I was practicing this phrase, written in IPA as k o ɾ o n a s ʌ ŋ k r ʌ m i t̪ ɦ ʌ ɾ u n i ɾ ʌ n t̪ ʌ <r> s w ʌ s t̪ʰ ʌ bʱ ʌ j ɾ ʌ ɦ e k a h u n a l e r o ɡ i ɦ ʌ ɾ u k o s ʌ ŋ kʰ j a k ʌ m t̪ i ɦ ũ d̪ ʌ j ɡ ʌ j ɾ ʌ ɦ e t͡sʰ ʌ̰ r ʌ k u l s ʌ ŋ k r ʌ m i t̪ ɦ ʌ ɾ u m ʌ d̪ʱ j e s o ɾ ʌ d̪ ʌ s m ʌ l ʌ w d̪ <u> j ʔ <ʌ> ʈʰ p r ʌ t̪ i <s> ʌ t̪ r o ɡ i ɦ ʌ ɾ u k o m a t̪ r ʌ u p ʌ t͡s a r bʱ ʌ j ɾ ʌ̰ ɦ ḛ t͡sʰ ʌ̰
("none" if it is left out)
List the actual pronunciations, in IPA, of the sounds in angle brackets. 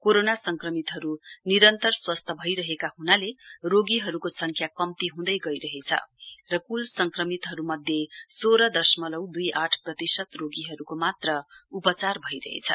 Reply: r, u, a, s

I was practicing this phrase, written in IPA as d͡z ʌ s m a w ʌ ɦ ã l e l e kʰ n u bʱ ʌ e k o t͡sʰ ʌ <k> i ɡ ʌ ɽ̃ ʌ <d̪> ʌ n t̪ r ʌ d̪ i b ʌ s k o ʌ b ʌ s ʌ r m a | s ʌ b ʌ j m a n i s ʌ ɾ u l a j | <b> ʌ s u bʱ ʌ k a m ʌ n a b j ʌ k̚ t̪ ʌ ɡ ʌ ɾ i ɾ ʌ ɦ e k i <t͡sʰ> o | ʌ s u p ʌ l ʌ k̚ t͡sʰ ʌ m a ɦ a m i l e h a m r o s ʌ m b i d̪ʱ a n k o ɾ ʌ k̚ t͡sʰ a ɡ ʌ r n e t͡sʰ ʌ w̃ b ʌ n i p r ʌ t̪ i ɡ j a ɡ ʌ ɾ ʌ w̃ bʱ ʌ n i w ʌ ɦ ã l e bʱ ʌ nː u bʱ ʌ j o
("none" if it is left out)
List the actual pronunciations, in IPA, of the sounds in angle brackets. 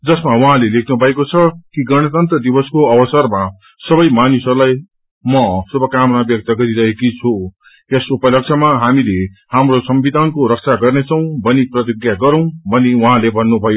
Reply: k, t̪, m, t͡sʰ

